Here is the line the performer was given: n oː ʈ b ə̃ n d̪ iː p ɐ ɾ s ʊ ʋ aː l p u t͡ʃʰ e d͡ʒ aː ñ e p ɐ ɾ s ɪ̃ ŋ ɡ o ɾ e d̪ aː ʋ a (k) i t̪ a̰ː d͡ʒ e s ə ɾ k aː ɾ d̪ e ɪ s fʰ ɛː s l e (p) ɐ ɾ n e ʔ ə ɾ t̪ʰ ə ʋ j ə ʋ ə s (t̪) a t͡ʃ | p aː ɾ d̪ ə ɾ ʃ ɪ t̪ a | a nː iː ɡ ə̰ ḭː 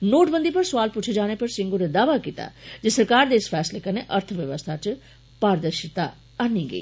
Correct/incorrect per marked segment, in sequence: correct, incorrect: k, incorrect: t̪ʰ

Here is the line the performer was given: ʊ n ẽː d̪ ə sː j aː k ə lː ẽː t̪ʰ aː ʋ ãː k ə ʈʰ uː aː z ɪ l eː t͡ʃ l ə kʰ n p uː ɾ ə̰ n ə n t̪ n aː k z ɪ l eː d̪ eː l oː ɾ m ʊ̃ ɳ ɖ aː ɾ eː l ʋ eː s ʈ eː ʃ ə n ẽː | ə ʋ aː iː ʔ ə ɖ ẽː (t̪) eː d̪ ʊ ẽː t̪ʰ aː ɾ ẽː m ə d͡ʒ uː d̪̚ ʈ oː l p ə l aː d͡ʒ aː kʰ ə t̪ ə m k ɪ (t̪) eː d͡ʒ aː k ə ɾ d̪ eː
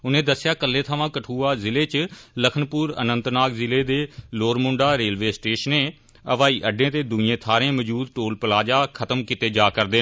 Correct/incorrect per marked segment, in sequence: correct, correct

